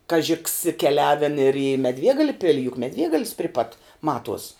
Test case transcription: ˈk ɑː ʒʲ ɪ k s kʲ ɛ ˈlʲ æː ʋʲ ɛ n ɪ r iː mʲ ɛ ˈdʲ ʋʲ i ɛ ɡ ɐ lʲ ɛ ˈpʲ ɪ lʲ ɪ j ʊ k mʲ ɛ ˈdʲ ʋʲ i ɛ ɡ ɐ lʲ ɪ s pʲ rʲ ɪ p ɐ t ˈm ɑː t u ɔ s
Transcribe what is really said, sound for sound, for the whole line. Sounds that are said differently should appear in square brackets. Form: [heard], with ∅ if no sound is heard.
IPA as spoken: ˈk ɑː ʒʲ ɪ k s kʲ ɛ ˈlʲ æː ʋʲ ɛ n ɪ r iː mʲ ɛ ˈdʲ ʋʲ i ɛ ɡ ɐ lʲ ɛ ˈpʲ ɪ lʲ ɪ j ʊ k mʲ ɛ ˈdʲ ʋʲ i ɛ ɡ ɐ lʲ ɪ s pʲ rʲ ɪ p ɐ t ˈm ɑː t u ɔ s